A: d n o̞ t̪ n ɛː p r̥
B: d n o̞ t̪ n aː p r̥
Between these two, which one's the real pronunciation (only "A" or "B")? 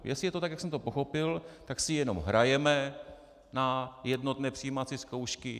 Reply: A